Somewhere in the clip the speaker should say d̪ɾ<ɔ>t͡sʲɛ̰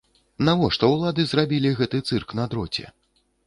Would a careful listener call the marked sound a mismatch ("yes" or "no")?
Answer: no